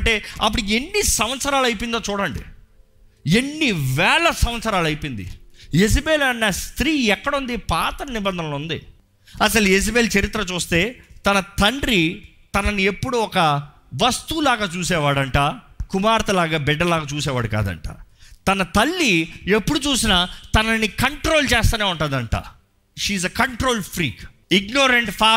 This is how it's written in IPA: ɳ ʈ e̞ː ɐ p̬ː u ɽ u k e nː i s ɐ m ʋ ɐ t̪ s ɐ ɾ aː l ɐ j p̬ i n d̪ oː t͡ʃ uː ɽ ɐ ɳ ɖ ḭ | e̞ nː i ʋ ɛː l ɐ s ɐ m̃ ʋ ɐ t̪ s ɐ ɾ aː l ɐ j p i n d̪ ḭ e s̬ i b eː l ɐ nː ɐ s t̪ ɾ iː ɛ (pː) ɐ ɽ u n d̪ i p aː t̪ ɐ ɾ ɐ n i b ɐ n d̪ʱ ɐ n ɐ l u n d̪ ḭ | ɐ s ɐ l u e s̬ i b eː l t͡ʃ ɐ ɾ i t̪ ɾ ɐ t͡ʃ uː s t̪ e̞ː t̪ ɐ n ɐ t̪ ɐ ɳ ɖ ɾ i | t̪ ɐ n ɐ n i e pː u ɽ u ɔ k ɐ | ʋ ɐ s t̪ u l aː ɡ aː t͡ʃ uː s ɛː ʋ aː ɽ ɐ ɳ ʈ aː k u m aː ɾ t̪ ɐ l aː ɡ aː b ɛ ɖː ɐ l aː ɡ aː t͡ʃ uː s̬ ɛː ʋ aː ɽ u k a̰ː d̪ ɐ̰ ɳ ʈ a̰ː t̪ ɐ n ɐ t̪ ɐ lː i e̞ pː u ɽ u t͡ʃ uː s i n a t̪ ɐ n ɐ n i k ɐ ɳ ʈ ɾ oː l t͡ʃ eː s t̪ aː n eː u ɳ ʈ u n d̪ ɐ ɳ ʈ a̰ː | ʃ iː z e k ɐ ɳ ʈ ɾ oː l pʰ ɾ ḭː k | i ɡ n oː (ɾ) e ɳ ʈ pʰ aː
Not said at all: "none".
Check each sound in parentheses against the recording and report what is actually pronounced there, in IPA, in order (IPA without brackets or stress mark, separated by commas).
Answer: kː, ɾ